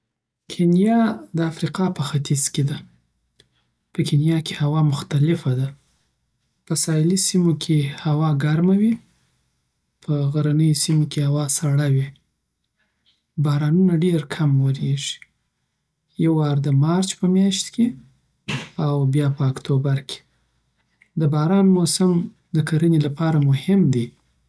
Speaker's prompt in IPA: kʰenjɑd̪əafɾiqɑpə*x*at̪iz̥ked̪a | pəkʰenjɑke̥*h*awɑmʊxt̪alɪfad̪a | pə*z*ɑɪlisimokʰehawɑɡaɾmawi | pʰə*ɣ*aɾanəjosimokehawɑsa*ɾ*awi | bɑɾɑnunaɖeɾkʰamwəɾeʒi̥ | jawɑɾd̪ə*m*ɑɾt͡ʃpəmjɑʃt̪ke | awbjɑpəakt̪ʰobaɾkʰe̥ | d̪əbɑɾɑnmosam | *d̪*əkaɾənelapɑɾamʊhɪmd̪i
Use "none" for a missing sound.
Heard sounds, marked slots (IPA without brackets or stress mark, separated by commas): x, h, s, ɣ, ɽ, m, d̪